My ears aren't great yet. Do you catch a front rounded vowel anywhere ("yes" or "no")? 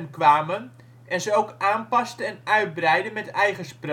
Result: yes